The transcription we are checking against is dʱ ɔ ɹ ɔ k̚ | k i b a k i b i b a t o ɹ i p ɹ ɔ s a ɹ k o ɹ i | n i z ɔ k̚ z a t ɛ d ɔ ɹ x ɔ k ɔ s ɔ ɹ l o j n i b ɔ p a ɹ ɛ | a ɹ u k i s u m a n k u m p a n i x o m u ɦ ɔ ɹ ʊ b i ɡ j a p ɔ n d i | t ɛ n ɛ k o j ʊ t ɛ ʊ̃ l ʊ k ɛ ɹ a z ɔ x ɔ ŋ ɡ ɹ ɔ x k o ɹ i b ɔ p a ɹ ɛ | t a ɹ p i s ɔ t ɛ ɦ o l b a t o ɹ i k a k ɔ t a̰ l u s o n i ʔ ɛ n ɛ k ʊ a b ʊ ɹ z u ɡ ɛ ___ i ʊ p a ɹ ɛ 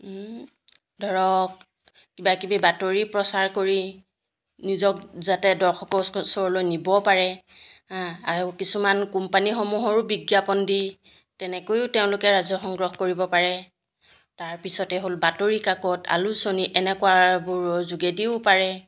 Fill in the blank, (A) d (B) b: A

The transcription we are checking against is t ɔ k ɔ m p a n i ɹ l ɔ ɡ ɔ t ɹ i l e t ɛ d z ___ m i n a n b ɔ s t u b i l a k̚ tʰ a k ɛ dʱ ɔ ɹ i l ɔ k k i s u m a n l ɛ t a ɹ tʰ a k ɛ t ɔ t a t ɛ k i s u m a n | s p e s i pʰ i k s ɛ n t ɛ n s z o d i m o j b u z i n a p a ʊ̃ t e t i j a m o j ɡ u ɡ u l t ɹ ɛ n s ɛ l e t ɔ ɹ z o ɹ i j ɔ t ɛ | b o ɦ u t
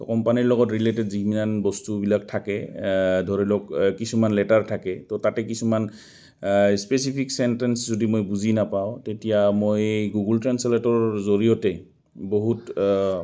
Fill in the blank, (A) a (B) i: B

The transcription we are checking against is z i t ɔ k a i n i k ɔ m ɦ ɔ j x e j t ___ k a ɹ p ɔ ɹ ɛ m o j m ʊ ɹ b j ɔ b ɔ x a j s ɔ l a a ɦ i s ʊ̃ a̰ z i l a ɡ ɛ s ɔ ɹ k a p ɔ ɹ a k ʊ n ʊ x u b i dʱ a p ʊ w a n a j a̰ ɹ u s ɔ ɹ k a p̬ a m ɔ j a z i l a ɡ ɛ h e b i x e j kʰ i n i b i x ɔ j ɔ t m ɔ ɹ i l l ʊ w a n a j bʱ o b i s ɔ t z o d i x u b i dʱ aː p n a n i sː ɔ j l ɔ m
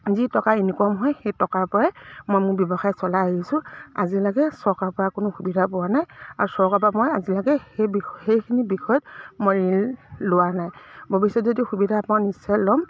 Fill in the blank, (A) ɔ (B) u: A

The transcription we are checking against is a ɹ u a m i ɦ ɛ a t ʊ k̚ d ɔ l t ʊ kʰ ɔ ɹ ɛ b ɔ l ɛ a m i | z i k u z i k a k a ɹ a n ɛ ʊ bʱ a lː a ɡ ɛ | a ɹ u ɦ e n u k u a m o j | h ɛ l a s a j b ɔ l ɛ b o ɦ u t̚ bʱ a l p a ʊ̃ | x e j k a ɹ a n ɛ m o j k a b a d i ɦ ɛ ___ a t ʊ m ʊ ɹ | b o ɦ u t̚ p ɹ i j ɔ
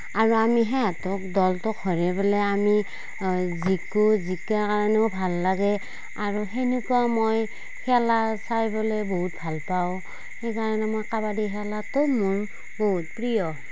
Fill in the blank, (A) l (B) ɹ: A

